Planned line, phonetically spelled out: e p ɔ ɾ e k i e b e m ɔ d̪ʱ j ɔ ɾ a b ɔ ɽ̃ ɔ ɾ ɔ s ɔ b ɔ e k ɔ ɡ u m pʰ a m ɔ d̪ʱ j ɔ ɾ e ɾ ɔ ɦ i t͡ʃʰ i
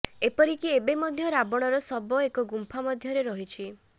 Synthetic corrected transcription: e p ɔ ɾ i k i e b e m ɔ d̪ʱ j ɔ ɾ a b ɔ ɽ̃ ɔ ɾ ɔ s ɔ b ɔ e k ɔ ɡ u m pʰ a m ɔ d̪ʱ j ɔ ɾ e ɾ ɔ ɦ i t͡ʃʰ i